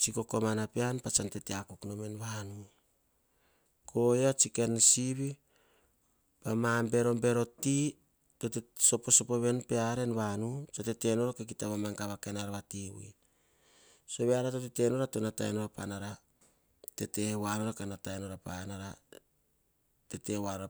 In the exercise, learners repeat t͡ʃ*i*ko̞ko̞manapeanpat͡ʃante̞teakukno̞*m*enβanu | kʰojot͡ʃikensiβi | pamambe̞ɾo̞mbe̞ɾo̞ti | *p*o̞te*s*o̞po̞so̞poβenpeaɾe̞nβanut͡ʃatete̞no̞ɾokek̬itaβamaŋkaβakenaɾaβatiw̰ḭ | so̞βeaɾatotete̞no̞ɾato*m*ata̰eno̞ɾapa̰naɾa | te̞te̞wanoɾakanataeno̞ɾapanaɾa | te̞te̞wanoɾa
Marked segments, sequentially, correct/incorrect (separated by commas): correct, correct, incorrect, correct, incorrect